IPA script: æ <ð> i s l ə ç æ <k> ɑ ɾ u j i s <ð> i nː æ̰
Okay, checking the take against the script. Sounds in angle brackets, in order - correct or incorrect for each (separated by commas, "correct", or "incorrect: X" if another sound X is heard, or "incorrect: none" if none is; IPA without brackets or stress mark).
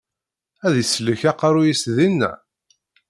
correct, incorrect: q, correct